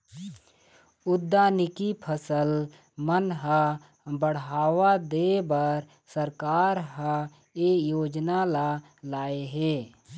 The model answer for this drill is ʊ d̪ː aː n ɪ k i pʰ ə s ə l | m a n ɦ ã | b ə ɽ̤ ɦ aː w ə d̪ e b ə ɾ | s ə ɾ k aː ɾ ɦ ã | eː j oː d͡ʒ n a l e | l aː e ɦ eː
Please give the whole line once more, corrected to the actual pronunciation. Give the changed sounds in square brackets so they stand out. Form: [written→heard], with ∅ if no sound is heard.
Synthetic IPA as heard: ʊ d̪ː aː n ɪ k i pʰ ə s ə l | m [a→ə] n ɦ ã | b ə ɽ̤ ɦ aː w [ə→a] d̪ e b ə ɾ | s ə ɾ k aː ɾ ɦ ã | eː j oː d͡ʒ n a l [e→a] | l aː e ɦ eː